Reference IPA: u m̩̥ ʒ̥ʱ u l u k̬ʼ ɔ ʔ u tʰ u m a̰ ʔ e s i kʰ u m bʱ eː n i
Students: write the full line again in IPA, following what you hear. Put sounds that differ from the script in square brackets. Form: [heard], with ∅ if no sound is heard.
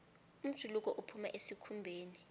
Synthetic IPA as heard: u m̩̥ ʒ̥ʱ u l u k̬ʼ ɔ ʔ u [pʰ] u m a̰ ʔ e s i kʰ u m bʱ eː n i